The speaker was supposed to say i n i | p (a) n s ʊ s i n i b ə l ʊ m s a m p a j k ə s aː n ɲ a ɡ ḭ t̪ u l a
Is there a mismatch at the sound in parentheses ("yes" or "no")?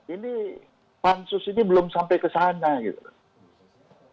no